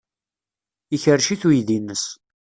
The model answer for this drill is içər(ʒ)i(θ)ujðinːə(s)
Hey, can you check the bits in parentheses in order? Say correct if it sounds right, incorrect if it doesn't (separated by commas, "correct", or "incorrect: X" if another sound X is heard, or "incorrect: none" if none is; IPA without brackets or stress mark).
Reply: incorrect: ʃ, correct, correct